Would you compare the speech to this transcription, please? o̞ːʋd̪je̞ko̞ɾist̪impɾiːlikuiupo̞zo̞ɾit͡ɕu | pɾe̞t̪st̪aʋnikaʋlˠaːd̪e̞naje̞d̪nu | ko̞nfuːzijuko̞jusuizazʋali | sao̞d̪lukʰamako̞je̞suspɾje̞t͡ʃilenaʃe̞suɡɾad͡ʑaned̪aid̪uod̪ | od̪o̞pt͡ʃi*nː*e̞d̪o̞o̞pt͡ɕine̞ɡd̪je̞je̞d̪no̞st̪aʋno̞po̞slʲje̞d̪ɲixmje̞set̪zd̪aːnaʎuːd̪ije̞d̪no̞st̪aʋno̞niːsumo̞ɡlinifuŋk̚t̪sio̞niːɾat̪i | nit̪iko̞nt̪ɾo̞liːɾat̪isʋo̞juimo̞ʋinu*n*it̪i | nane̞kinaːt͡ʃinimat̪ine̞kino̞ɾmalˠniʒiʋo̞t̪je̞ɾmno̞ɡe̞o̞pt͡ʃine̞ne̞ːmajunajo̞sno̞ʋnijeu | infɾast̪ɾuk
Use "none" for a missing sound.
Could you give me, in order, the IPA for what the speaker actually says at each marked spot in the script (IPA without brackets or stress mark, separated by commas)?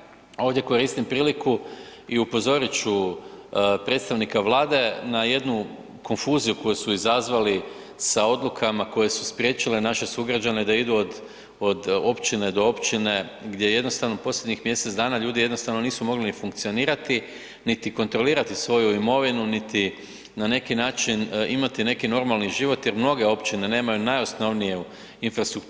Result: n, n